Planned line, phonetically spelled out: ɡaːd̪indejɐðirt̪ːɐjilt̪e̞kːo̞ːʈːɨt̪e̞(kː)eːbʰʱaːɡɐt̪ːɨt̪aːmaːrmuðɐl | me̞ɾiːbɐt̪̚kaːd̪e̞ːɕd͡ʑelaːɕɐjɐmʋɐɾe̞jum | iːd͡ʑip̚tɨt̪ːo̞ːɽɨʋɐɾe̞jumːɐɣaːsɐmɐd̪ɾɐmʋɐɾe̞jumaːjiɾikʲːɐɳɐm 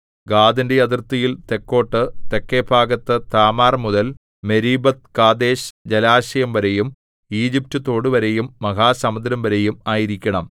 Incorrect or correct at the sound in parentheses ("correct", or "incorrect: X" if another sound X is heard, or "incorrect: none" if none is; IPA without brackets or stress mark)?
correct